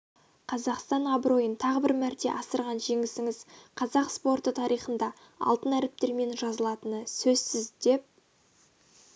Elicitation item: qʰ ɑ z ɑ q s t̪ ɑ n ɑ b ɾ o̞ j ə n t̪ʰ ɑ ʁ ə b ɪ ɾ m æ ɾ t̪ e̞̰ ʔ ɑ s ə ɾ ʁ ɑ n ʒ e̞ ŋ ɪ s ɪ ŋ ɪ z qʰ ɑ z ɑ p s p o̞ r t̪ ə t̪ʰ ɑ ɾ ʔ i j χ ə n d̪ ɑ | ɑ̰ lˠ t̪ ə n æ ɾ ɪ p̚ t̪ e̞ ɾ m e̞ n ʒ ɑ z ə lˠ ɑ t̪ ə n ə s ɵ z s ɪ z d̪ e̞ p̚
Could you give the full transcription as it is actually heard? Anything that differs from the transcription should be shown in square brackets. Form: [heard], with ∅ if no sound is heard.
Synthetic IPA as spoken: qʰ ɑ z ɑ q s t̪ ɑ n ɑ b ɾ o̞ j ə n t̪ʰ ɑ ʁ ə b ɪ ɾ m æ ɾ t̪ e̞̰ ʔ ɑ s ə ɾ ʁ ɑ n ʒ e̞ ŋ ɪ s ɪ ŋ ɪ z qʰ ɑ z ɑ [q] s p o̞ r t̪ ə t̪ʰ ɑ ɾ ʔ i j χ ə n d̪ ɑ | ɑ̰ lˠ t̪ ə n æ ɾ ɪ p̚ t̪ e̞ ɾ m e̞ n ʒ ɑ z ə lˠ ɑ t̪ ə n ə s ɵ z s ɪ z d̪ e̞ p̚